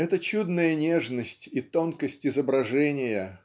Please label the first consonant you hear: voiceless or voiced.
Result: voiceless